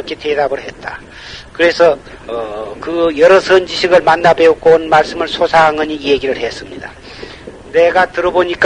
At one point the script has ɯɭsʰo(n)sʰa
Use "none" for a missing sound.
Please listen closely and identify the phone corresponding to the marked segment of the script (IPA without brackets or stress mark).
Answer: none